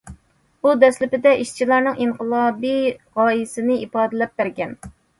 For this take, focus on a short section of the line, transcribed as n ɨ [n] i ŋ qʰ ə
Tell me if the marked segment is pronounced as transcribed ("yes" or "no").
no